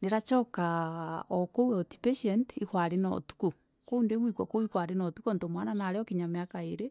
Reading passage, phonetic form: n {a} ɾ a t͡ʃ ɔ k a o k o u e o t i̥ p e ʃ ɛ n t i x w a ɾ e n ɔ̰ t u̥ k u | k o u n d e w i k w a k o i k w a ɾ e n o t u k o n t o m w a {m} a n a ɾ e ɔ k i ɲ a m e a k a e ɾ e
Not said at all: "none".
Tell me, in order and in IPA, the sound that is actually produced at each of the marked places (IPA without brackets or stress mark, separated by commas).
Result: e, n